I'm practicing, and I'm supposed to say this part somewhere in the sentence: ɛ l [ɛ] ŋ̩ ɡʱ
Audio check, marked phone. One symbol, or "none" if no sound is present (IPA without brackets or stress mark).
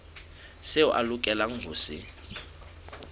a